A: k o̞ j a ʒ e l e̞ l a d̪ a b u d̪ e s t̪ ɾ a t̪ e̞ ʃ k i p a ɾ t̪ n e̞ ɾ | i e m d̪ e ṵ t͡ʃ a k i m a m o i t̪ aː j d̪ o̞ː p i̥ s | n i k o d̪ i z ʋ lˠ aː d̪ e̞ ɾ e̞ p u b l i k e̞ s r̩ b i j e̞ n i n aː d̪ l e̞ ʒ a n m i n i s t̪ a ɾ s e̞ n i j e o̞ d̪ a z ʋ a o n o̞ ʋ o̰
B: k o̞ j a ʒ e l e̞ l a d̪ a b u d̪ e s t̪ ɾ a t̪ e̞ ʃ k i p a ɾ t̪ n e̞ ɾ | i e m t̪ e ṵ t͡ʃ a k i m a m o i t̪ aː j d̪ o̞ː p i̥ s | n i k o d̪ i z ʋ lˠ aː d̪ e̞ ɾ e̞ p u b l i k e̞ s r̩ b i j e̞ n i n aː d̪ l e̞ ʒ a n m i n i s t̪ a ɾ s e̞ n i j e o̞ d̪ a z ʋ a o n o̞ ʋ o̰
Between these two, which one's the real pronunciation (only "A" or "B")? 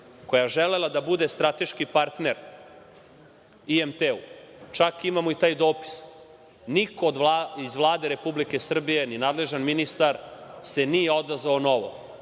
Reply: B